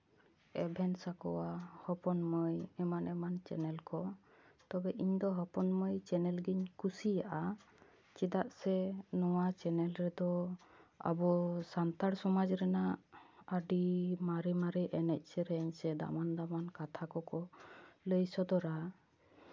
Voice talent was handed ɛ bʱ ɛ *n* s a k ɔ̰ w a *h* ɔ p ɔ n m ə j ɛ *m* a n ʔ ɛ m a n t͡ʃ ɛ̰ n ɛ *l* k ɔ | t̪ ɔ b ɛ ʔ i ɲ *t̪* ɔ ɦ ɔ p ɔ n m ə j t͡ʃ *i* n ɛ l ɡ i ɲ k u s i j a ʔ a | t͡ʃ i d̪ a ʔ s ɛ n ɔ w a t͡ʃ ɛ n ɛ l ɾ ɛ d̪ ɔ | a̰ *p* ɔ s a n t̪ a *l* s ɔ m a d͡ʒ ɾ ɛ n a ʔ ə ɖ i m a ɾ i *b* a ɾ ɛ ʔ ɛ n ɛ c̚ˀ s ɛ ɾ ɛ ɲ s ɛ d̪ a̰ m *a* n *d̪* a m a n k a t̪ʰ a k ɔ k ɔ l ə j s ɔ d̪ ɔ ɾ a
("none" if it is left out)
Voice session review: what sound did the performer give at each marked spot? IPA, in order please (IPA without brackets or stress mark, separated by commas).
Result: n, h, m, l, d̪, ɛ, b, ɽ, m, a, d̪